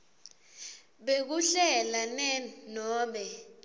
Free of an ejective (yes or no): yes